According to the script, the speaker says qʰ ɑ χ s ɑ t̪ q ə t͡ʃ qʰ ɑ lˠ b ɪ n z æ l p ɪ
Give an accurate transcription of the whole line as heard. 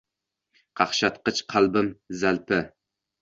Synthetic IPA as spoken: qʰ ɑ χ ʃ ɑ t̪ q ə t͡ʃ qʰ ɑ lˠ b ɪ m z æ l p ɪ

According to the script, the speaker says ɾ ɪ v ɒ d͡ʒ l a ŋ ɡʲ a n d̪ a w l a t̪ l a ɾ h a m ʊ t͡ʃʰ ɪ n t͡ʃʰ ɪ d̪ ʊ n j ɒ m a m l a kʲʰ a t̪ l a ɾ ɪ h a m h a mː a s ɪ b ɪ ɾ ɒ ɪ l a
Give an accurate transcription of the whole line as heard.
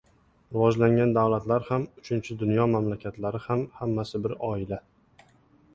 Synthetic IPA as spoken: ɾ ɪ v ɒ d͡ʒ l a ŋ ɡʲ a n d̪ a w l a t̪ l a ɾ h a m ʊ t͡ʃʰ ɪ n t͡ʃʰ ɪ d̪ ʊ n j ɒ m a m l a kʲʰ a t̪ l a ɾ ɪ h a m h a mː a s ɪ b ɪ ɾ ɒ ɪ l a

